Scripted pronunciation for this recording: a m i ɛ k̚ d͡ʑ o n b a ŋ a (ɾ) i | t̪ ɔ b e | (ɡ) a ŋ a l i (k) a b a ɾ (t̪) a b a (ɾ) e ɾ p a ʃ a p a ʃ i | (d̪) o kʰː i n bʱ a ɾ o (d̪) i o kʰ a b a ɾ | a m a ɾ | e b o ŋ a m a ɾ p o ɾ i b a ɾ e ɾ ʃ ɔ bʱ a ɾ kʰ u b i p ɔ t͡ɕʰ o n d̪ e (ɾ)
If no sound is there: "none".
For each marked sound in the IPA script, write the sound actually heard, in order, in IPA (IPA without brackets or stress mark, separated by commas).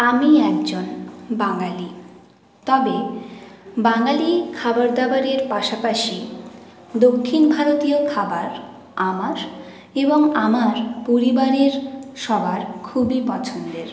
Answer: l, b, kʰ, d̪, ɾ, d̪, t̪, ɾ